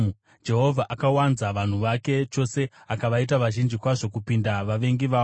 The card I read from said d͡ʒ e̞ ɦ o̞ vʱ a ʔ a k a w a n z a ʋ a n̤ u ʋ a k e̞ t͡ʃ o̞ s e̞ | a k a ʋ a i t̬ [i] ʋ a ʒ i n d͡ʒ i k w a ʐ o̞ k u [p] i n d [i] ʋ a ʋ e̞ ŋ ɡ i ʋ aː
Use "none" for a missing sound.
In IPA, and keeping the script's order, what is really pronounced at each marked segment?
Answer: a, p, a

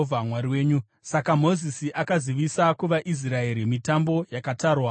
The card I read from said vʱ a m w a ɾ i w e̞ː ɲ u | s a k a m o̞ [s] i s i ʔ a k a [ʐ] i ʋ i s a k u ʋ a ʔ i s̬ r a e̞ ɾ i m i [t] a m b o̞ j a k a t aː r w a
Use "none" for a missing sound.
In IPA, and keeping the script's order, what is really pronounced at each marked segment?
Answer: z, z, t

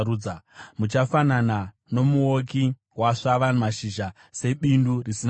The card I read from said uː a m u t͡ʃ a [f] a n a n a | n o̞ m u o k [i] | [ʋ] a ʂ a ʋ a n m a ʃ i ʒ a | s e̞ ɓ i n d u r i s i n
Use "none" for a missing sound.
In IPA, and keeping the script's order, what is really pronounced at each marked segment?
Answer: f, i, w

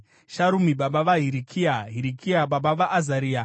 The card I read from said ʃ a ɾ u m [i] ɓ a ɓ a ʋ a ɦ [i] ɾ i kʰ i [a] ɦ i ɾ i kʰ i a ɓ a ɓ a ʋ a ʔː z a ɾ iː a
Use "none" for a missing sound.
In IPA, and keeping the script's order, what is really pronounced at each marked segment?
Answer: i, i, a

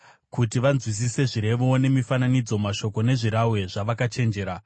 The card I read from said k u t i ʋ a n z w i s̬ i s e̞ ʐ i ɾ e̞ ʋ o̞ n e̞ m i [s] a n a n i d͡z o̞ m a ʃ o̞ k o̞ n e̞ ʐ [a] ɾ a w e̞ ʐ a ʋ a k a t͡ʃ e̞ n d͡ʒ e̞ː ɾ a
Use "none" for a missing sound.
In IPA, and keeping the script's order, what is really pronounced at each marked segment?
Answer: f, i

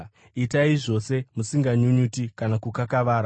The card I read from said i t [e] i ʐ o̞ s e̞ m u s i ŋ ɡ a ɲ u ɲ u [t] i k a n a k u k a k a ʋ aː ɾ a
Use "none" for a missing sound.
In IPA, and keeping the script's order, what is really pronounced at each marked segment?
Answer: a, t

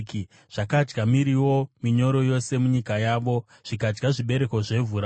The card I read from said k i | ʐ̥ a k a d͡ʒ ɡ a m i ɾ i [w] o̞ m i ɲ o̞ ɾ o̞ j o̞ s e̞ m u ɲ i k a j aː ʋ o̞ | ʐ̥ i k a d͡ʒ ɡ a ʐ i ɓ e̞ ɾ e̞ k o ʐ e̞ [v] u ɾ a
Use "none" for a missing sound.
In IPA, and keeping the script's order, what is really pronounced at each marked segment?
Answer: w, v

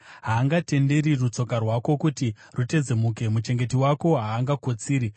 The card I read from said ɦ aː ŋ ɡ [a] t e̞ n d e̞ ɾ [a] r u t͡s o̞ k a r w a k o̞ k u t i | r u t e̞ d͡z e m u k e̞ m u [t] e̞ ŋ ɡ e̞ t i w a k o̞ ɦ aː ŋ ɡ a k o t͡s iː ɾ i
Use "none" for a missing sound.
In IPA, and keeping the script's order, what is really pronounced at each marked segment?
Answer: a, i, t͡ʃ

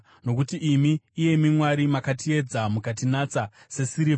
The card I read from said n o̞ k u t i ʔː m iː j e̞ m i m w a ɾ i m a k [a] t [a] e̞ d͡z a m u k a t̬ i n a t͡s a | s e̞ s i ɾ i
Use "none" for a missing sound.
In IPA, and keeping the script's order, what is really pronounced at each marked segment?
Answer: a, i

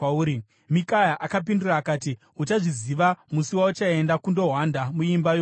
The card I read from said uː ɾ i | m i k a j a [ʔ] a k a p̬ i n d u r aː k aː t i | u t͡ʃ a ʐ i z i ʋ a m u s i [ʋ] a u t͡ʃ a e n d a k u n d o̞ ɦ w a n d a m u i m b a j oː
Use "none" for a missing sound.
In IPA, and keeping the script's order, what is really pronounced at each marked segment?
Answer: ʔ, w

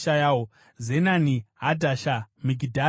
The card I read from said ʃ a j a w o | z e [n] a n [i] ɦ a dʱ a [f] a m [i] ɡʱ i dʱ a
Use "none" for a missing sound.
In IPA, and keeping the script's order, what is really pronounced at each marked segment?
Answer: n, i, ʃ, i

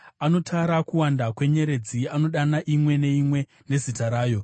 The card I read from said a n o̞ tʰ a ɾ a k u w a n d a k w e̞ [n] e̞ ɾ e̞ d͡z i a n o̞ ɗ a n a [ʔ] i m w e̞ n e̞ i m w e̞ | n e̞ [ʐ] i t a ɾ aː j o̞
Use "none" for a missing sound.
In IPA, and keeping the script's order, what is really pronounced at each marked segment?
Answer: ɲ, ʔ, z

